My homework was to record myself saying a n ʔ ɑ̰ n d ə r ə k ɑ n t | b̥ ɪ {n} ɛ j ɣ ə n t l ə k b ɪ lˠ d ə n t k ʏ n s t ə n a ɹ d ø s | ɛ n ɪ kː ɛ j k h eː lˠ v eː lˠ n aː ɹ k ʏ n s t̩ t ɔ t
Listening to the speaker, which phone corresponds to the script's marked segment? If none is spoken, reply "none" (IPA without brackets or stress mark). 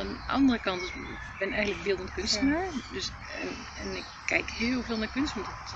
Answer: n